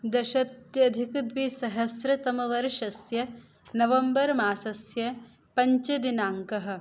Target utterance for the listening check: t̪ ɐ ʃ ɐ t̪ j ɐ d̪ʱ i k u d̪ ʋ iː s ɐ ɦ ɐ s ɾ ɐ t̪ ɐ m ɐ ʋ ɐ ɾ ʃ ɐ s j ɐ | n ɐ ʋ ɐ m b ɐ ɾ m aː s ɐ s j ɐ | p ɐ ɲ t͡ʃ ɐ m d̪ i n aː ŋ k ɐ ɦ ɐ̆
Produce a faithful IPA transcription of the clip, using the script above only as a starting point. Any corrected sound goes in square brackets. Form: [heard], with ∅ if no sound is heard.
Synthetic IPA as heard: [d̪] ɐ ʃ ɐ t̪ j ɐ d̪ʱ i k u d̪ ʋ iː s ɐ ɦ ɐ s ɾ ɐ t̪ ɐ m ɐ ʋ ɐ ɾ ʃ ɐ s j ɐ | n ɐ ʋ ɐ m b ɐ ɾ m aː s ɐ s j ɐ | p ɐ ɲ t͡ʃ ɐ [∅] d̪ i n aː ŋ k ɐ ɦ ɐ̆